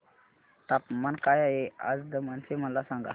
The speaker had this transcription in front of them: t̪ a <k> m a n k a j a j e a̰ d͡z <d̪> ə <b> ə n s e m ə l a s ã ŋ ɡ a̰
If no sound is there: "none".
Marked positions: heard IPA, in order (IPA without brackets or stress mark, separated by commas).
p, d̪, m